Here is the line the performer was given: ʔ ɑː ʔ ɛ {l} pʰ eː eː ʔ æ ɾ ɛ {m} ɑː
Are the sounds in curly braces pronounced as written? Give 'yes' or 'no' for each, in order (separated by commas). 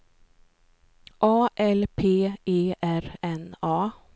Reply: yes, no